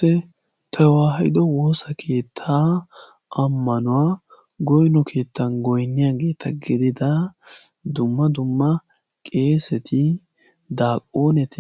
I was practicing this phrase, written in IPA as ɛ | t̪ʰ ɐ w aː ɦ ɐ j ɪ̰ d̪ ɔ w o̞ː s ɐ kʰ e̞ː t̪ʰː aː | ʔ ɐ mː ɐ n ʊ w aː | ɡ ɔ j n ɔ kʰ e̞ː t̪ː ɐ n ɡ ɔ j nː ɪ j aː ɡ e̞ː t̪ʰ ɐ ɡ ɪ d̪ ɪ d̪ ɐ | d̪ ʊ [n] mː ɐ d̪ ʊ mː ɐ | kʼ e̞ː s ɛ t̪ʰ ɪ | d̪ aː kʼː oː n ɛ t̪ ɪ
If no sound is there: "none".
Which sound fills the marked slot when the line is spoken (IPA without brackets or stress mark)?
none